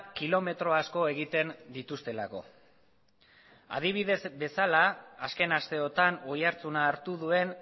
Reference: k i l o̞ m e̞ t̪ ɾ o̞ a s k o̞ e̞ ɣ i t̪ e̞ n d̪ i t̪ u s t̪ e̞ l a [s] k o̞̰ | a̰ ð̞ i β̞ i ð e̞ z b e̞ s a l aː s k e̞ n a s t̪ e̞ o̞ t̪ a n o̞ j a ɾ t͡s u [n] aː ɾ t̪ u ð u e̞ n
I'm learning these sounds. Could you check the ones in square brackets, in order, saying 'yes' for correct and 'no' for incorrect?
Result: no, yes

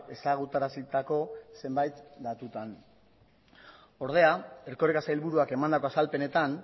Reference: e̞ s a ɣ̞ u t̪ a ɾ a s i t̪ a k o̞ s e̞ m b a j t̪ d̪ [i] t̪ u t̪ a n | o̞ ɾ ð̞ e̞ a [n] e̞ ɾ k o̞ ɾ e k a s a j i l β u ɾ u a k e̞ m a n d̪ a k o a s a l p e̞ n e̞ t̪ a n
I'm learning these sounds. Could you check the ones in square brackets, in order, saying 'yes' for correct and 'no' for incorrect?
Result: no, no

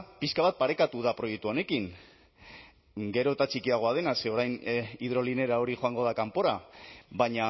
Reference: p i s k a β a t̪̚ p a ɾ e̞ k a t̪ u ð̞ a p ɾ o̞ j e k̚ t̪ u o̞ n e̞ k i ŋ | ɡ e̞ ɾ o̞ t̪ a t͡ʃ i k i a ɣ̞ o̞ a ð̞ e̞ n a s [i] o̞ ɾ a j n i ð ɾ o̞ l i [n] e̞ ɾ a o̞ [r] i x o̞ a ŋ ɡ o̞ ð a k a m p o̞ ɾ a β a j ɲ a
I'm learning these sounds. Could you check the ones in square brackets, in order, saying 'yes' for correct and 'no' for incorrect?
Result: no, yes, no

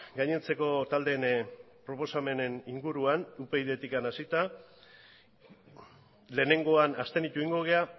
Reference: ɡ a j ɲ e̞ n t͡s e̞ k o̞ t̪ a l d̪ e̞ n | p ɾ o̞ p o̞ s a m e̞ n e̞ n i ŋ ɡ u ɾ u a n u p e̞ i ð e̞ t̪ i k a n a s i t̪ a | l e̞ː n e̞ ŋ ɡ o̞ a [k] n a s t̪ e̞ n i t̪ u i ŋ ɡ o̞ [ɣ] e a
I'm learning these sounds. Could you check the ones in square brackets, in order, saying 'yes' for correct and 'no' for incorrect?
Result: no, yes

